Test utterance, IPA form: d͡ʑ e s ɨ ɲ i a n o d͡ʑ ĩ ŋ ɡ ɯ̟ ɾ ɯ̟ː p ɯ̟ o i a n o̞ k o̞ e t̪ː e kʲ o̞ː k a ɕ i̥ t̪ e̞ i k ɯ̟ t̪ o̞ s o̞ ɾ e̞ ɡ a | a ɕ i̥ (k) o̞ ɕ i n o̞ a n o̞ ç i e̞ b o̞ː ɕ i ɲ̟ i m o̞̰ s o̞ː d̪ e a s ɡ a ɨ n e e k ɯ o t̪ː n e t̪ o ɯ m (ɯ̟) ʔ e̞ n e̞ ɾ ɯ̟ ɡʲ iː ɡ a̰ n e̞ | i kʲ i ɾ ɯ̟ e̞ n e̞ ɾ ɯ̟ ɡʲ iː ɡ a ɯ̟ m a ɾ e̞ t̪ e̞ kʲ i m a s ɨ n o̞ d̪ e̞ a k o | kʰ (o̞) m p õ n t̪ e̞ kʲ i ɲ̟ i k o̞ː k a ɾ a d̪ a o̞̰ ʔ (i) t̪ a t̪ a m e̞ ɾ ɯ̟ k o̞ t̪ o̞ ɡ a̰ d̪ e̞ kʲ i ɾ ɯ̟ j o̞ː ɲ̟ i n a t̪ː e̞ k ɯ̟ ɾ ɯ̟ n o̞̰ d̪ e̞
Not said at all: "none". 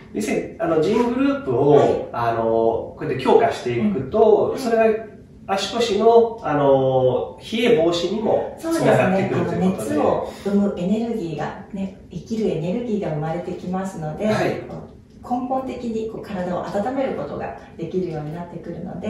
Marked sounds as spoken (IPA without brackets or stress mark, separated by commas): k, ɯ̟, õ̞, a